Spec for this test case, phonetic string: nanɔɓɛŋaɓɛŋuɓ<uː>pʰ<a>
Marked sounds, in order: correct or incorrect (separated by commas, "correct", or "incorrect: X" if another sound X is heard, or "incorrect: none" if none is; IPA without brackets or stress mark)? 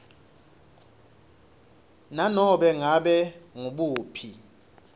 correct, incorrect: i